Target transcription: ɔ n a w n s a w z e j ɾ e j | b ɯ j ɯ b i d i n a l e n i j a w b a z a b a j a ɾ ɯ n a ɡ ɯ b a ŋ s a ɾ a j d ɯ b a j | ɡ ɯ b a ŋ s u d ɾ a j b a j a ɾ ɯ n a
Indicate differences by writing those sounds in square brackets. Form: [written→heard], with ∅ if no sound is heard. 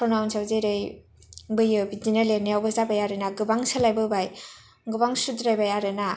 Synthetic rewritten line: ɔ n a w n s a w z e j ɾ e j | b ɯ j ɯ b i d i n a l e n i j a w b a z a b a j a ɾ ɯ n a ɡ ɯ b a ŋ s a [ɾ→l] a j [d→b] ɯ b a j | ɡ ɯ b a ŋ s u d ɾ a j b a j a ɾ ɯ n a